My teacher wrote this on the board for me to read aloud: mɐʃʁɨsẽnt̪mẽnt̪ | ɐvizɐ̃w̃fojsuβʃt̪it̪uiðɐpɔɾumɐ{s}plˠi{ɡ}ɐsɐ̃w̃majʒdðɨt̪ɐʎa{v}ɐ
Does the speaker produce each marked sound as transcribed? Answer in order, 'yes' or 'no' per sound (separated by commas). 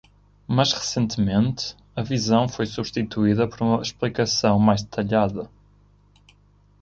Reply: no, no, no